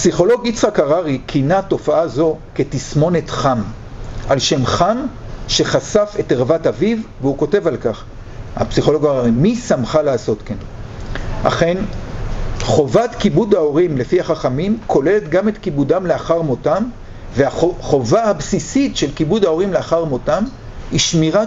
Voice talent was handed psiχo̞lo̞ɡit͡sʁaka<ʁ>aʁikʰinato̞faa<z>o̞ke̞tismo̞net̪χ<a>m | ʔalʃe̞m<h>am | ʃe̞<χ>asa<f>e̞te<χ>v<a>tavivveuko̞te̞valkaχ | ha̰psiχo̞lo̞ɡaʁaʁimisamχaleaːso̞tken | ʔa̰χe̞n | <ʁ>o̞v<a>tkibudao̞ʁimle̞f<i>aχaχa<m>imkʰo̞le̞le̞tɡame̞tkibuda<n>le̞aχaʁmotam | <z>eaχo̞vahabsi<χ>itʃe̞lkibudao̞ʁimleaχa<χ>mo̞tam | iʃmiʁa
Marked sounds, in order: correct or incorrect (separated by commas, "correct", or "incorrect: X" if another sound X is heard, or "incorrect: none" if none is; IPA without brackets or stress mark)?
correct, correct, correct, incorrect: χ, correct, correct, incorrect: ʁ, correct, incorrect: χ, correct, correct, correct, incorrect: m, incorrect: v, incorrect: s, incorrect: ʁ